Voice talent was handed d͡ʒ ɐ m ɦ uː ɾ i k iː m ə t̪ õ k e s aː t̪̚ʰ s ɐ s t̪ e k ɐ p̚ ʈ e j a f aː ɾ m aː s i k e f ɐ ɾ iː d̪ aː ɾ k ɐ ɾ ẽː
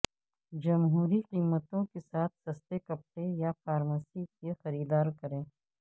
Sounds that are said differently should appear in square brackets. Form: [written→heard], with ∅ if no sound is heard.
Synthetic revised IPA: d͡ʒ ɐ m ɦ uː ɾ i [k→q] iː m ə t̪ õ k e s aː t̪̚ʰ s ɐ s t̪ e k ɐ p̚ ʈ e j a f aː ɾ m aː s i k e [f→x] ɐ ɾ iː d̪ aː ɾ k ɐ ɾ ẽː